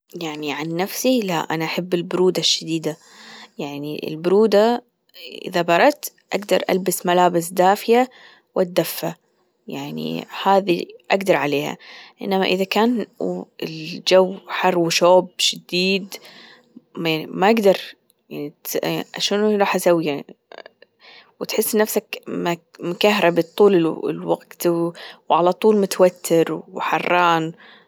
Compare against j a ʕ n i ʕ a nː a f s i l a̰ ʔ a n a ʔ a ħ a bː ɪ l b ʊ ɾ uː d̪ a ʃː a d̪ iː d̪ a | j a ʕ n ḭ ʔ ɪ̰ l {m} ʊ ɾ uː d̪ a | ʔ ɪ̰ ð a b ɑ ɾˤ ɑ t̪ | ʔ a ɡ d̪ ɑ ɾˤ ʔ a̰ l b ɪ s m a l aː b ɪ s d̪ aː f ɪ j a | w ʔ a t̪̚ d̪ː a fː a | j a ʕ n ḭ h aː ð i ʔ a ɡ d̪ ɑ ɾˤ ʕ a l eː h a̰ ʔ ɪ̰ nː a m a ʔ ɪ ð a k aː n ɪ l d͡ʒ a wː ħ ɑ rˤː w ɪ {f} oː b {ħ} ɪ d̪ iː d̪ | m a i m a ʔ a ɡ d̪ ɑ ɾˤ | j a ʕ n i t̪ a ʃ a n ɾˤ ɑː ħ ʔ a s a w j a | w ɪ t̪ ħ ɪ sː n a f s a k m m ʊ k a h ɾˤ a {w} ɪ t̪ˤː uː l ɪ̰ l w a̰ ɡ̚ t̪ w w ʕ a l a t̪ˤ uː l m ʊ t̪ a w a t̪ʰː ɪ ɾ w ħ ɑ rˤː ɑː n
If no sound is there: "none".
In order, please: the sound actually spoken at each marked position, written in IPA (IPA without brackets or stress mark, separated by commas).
b, ʃ, ʃ, b